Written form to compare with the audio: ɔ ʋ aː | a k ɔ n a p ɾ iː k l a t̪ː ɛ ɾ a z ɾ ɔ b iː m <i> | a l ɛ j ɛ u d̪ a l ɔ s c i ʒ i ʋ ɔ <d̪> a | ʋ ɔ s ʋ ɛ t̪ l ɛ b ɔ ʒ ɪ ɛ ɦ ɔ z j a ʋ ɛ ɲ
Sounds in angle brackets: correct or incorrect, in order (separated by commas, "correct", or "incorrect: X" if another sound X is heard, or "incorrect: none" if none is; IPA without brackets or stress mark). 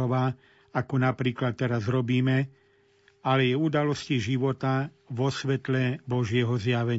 incorrect: ɛ, incorrect: t̪